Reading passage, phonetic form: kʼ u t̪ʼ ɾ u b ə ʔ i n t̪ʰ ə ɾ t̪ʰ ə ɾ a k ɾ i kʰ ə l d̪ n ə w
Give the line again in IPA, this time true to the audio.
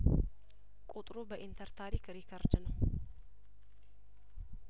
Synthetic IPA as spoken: kʼ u t̪ʼ ɾ u b ə ʔ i n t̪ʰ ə ɾ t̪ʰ a ɾ i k ɾ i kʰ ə ɾ d̪ n ə w